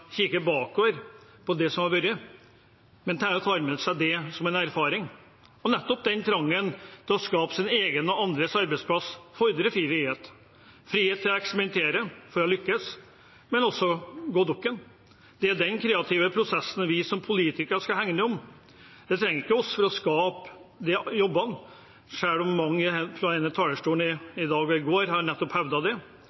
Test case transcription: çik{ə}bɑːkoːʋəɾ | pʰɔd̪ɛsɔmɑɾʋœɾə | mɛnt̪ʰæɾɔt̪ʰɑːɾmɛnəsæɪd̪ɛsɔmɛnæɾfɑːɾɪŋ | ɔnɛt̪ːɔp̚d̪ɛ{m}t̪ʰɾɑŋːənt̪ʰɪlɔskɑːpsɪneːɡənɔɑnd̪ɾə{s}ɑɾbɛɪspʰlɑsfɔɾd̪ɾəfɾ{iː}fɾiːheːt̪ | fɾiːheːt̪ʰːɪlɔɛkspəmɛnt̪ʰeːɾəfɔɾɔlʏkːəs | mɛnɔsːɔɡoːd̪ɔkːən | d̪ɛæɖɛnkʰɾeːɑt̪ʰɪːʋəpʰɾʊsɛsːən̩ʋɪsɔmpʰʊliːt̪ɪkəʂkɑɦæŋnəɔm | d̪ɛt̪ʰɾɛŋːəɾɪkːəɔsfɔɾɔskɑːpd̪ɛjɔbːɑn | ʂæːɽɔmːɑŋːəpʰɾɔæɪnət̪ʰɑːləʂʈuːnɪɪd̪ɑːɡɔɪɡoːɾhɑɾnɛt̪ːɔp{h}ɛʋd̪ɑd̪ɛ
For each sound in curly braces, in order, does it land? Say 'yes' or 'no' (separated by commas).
yes, no, yes, yes, yes